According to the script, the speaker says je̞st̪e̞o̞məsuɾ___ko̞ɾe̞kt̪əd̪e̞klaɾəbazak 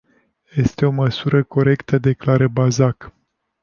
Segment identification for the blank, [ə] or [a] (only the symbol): ə